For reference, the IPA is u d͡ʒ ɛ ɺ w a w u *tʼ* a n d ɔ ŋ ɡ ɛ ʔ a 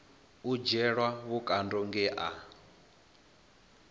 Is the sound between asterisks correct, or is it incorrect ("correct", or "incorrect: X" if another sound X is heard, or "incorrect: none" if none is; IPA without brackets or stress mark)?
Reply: incorrect: kʼ